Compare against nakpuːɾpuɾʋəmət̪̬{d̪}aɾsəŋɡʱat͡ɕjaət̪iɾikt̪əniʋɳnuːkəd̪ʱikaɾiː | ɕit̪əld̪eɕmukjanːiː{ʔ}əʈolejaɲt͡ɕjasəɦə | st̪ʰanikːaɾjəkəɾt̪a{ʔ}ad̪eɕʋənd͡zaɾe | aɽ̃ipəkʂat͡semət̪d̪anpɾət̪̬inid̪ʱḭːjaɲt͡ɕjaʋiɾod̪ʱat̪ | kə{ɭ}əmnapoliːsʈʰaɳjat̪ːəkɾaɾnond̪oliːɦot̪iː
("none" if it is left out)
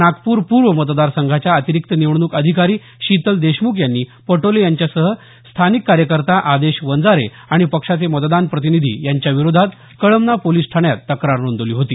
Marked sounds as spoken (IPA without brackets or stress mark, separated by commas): d̪, p, ʔ, ɭ